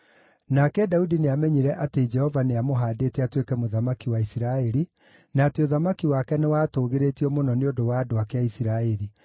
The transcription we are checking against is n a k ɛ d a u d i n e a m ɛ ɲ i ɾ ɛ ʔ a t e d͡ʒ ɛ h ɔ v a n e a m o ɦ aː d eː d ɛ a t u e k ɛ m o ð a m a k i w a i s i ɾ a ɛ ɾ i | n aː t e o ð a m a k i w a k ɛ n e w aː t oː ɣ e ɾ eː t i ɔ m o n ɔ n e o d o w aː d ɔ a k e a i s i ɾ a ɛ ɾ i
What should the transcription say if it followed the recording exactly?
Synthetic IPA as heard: n a k ɛ d a u d i n e a m ɛ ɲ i ɾ ɛ ʔ a t e d͡ʒ ɛ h ɔ v a n e a m o ɦ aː d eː t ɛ a t w e k ɛ m o ð a m a k i w a i s i ɾ a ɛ ɾ i | n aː t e o ð a m a k i w a k ɛ n e w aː t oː ɣ e ɾ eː t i ɔ m o n ɔ n e o d o w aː d o a k e a i s i ɾ a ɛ ɾ i